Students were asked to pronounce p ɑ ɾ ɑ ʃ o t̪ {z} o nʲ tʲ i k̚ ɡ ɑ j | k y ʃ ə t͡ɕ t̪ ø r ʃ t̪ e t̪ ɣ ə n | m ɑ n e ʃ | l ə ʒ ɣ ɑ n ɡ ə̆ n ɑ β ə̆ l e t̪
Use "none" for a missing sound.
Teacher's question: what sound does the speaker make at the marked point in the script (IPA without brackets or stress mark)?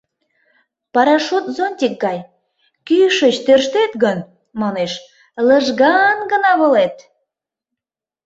z